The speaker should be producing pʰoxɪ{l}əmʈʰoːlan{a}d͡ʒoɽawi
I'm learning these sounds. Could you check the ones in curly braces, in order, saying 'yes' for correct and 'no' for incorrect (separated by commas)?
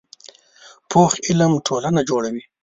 yes, yes